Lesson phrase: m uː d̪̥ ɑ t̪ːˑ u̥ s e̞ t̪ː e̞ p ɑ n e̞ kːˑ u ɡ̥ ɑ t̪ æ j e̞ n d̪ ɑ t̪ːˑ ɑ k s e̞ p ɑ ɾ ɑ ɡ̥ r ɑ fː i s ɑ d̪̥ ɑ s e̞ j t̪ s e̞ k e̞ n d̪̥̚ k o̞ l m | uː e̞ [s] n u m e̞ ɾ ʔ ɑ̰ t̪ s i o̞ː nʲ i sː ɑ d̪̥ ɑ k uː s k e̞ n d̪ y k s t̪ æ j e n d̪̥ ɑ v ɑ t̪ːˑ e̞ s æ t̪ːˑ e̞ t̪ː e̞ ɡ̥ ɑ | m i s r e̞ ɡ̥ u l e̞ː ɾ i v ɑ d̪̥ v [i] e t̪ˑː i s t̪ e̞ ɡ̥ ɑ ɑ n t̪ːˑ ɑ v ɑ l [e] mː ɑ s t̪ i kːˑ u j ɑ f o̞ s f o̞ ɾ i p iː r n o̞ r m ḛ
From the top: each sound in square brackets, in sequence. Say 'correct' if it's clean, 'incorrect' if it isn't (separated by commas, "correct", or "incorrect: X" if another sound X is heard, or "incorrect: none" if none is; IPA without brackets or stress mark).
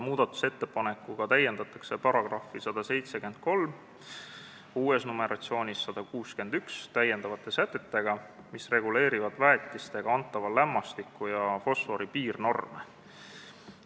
correct, incorrect: æ, incorrect: æ